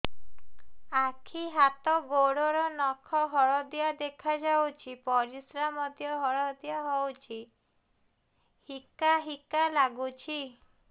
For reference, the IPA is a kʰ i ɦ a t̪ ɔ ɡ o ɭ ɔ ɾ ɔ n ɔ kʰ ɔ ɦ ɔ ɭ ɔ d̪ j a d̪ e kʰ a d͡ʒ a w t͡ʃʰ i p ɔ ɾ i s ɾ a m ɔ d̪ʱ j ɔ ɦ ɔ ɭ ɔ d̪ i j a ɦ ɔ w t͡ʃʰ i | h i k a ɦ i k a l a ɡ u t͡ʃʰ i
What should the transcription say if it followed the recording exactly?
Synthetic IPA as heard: a kʰ i ɦ a t̪ ɔ ɡ o ɽ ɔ ɾ ɔ n ɔ kʰ ɔ ɦ ɔ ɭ ɔ d̪ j a d̪ e kʰ a d͡ʒ a w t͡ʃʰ i p ɔ ɾ i s ɾ a m ɔ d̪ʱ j ɔ ɦ ɔ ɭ ɔ d̪ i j a ɦ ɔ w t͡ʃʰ i | h i k a ɦ i k a l a ɡ u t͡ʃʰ i

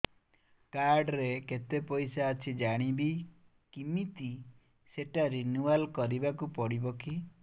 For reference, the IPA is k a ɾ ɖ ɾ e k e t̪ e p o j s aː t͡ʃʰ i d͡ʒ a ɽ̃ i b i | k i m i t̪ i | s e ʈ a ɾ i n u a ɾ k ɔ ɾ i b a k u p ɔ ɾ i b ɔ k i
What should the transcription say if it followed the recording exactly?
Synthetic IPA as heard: k a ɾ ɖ ɾ e k e t̪ e p ɔ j s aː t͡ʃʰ i d͡ʒ a ɽ̃ i b i | k i m i t̪ i | s e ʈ a ɾ i n u a l k ɔ ɾ i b a k u p ɔ ɽ i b ɔ k i

